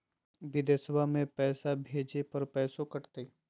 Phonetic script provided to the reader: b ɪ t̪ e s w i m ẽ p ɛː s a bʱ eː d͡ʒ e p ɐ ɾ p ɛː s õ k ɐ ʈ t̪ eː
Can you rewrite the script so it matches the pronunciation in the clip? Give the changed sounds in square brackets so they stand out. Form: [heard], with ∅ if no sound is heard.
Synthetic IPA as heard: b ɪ [d̪] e s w [a] m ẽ p ɛː s a bʱ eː d͡ʒ e p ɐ ɾ p ɛː s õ k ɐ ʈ t̪ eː